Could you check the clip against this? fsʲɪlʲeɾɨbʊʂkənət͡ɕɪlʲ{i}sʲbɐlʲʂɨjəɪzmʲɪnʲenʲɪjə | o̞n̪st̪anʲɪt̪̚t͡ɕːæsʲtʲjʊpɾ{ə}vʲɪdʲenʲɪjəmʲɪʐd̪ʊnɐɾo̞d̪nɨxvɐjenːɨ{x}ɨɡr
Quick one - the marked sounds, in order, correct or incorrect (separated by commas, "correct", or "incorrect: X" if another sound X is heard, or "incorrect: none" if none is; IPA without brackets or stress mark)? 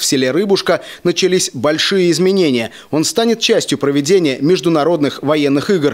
correct, correct, correct